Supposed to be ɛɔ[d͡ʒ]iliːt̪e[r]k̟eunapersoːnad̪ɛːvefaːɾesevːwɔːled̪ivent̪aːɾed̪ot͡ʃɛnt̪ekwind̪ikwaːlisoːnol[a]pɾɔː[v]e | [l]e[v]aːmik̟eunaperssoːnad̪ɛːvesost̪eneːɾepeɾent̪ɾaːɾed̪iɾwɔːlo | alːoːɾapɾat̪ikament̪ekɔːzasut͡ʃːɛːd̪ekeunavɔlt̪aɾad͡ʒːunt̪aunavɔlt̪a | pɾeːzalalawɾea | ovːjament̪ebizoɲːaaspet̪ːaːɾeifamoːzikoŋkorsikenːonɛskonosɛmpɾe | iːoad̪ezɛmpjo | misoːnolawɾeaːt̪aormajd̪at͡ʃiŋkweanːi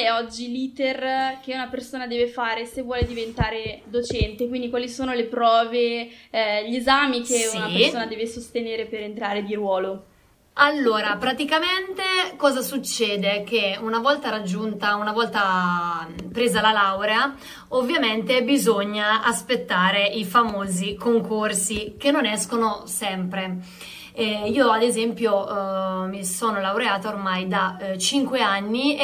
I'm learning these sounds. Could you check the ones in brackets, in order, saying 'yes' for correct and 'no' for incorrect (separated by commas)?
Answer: no, yes, no, yes, no, no